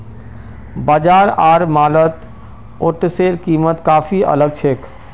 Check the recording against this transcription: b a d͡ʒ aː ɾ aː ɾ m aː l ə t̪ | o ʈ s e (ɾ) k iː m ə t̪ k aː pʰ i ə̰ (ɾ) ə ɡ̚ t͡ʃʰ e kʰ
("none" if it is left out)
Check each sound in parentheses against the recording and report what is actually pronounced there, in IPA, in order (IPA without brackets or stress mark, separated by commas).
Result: ɾ, l